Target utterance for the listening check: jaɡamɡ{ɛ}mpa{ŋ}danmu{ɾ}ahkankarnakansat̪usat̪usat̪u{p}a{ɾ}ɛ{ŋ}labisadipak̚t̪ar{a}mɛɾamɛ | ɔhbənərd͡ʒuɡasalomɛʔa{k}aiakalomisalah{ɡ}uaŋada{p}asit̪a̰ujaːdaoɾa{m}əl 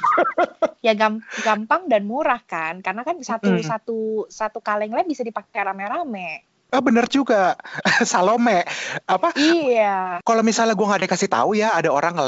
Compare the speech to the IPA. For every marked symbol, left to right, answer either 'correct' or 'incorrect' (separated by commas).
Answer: incorrect, correct, correct, incorrect, incorrect, correct, correct, incorrect, correct, incorrect, incorrect